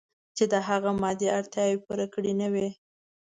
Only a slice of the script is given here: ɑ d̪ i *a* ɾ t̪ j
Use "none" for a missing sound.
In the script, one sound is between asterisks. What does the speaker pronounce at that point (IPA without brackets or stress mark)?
a